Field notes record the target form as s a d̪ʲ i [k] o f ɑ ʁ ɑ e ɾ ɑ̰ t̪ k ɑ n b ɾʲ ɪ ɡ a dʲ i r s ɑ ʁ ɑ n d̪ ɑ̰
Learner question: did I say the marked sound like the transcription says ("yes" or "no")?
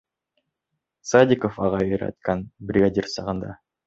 yes